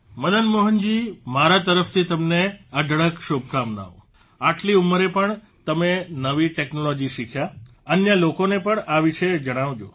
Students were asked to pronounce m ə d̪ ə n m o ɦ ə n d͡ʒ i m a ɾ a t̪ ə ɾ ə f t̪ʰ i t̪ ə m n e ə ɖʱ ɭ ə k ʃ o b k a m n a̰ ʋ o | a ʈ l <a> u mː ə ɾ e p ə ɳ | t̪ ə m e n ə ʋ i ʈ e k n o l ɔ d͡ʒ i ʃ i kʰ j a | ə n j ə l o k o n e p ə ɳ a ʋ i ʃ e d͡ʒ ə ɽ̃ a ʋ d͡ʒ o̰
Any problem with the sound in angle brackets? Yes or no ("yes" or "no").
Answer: yes